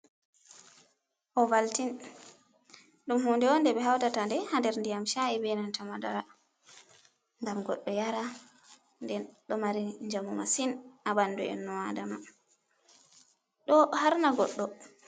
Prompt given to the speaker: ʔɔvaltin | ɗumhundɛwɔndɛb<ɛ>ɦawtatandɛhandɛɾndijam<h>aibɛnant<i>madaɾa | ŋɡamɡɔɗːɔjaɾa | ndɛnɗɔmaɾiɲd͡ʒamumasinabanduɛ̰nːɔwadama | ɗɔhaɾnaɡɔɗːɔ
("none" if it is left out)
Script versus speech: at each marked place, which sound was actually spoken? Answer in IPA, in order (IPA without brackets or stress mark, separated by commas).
ɛ, ʃ, a